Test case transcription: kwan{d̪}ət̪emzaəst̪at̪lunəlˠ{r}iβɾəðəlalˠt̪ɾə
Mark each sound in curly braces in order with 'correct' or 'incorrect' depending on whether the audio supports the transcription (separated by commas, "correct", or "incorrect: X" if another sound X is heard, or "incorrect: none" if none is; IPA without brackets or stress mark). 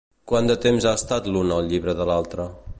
correct, incorrect: ʎ